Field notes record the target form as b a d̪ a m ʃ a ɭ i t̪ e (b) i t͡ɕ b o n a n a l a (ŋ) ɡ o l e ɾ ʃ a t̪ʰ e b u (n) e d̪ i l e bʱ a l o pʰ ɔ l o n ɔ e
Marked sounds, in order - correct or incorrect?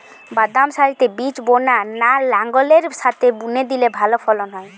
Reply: correct, correct, correct

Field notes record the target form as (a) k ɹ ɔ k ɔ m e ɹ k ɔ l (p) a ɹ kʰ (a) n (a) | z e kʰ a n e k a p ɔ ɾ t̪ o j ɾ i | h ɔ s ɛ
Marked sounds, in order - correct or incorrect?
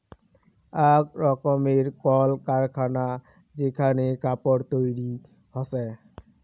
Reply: correct, incorrect, correct, correct

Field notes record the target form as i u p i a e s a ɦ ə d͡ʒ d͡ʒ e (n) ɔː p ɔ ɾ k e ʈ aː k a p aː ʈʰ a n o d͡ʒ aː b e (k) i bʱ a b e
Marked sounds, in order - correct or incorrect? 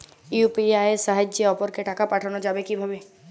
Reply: incorrect, correct

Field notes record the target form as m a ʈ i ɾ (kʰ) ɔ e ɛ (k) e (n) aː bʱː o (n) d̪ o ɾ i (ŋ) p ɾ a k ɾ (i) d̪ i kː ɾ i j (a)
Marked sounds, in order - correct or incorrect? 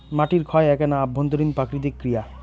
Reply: correct, correct, correct, correct, incorrect, correct, correct

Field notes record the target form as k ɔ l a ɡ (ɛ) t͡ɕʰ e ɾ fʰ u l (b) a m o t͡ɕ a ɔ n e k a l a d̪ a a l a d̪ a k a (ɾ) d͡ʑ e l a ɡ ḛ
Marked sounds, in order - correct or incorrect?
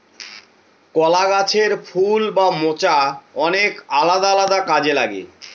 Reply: incorrect, correct, incorrect

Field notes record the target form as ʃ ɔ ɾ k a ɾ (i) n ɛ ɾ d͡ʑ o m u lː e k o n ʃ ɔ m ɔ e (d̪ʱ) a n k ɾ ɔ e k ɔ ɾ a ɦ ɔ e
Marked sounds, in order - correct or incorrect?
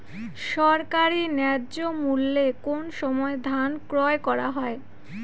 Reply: correct, correct

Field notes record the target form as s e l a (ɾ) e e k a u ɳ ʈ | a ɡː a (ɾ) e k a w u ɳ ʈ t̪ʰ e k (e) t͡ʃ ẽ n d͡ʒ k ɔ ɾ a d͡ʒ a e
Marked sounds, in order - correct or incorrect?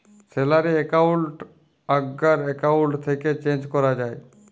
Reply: correct, correct, correct

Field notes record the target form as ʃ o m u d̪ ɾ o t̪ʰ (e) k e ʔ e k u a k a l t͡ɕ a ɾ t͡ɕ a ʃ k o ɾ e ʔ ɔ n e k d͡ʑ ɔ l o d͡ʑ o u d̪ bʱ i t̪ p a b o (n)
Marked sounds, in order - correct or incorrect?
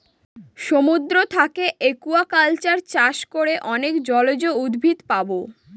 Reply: incorrect, incorrect

